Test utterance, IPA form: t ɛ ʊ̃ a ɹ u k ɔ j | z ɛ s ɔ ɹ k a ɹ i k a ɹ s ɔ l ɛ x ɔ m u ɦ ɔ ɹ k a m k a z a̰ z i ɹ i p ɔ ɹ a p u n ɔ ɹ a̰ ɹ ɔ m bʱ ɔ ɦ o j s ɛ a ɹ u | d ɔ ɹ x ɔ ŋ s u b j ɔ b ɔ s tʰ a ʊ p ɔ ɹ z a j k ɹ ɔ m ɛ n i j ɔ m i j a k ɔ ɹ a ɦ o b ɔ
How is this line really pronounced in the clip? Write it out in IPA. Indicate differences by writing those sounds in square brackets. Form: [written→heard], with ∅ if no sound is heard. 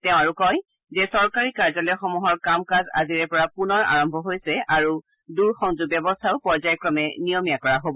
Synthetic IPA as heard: t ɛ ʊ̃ a ɹ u k ɔ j | z ɛ s ɔ ɹ k a ɹ i k a ɹ [s→z] ɔ l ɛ x ɔ m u ɦ ɔ ɹ k a m k a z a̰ z i ɹ [i→ɛ] p ɔ ɹ a p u n ɔ ɹ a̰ ɹ ɔ m bʱ ɔ ɦ o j s ɛ a ɹ u | d [ɔ→u] ɹ x ɔ ŋ [s→z] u b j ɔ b ɔ s tʰ a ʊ p ɔ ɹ z a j k ɹ ɔ m ɛ n i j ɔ m i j a k ɔ ɹ a ɦ o b ɔ